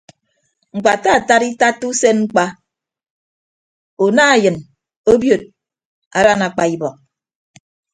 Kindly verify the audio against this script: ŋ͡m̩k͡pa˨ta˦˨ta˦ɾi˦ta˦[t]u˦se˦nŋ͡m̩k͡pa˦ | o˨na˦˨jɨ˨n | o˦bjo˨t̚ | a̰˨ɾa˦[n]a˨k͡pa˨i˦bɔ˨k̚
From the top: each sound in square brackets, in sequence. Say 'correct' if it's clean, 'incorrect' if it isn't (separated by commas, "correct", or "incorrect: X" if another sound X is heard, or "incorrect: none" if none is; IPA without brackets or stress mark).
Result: correct, correct